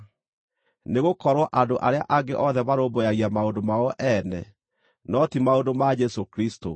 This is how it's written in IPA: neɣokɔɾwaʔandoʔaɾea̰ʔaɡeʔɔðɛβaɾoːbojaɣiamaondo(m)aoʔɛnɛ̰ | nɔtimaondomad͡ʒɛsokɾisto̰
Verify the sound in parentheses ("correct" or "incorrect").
correct